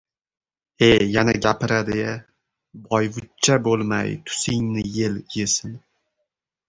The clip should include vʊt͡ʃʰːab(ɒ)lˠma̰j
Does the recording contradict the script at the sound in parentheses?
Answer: yes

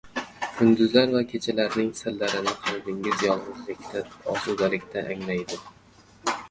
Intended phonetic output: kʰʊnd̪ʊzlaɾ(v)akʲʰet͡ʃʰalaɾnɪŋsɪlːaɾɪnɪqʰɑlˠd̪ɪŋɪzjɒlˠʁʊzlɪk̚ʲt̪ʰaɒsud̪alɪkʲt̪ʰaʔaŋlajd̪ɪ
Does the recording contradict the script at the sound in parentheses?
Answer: no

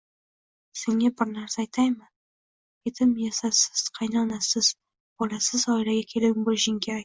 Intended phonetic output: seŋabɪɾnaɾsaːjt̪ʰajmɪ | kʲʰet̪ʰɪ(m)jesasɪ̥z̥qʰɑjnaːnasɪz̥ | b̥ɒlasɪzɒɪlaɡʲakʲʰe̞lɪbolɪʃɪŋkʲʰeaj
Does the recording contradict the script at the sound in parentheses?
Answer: no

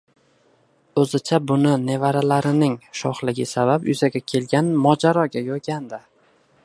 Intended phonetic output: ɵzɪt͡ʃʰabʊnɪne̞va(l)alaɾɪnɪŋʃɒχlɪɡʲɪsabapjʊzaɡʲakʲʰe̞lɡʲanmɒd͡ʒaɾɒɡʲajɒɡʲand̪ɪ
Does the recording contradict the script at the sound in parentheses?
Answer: yes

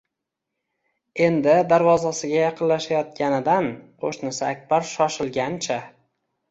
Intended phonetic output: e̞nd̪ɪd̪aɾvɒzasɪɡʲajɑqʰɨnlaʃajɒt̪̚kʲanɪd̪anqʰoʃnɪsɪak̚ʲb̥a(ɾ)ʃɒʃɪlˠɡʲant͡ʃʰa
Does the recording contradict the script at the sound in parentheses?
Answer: no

